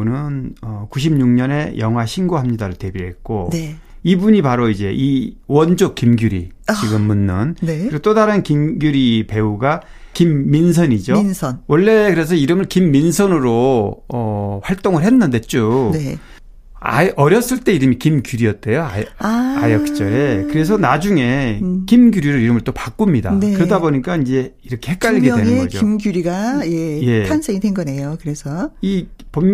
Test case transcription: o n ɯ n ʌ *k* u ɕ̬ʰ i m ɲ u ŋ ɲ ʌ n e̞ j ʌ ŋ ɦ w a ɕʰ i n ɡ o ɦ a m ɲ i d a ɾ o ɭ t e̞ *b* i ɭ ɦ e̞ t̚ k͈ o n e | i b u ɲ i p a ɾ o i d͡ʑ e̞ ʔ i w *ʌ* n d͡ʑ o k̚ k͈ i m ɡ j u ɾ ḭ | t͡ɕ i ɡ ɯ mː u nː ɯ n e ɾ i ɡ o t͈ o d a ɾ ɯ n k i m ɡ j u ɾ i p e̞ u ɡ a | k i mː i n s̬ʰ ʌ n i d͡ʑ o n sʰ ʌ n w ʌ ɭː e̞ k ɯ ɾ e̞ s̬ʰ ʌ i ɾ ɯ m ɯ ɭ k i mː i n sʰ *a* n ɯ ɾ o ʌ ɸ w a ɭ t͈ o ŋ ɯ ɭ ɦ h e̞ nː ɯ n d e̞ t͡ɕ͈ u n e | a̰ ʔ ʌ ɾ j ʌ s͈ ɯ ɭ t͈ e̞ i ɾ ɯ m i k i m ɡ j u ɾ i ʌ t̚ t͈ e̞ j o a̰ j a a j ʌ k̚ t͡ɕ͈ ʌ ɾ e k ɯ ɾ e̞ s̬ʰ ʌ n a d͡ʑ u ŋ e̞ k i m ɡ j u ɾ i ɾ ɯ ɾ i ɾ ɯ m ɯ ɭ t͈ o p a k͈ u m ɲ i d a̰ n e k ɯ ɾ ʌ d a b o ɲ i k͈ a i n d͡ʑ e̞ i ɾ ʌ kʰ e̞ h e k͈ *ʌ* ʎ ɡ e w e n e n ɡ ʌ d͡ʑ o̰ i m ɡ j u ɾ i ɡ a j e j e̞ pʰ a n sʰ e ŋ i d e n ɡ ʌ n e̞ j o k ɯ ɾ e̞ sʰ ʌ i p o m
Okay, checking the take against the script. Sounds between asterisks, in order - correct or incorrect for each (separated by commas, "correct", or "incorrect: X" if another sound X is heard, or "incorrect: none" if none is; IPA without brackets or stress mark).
correct, correct, correct, incorrect: ʌ, incorrect: a